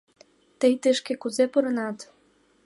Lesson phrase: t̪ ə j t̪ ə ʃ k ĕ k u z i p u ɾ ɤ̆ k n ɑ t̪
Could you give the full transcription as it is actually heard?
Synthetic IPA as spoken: t̪ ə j t̪ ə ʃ k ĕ k u z e p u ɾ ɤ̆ n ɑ t̪